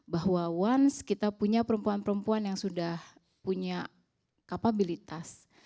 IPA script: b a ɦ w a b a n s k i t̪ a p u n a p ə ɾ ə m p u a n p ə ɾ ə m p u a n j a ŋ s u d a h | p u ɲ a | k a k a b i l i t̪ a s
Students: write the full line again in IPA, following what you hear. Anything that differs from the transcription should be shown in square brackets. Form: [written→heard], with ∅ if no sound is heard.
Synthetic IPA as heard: b a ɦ w a [b→w] a n s k i t̪ a p u [n→ɲ] a p ə ɾ ə m p u a n p ə ɾ ə m p u a n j a ŋ s u d a h | p u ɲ a | k a [k→p] a b i l i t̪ a s